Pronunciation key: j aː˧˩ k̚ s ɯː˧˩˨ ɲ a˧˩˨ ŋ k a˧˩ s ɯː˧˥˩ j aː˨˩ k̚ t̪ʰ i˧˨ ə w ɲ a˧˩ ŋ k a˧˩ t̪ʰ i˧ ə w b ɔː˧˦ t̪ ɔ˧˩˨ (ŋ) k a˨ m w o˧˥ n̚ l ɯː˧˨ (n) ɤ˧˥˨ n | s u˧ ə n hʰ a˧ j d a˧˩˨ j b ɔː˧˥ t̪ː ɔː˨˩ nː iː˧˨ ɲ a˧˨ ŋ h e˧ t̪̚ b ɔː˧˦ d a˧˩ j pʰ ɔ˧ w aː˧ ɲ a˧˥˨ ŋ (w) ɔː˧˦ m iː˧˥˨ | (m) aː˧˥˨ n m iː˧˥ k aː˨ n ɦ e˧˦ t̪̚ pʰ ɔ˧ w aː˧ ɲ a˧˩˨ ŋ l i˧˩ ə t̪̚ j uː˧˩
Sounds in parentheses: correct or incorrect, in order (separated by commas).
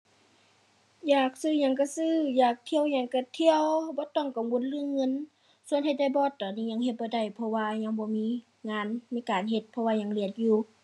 correct, incorrect, incorrect, incorrect